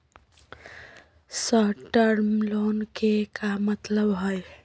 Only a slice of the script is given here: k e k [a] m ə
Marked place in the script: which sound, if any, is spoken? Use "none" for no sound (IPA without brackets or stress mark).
a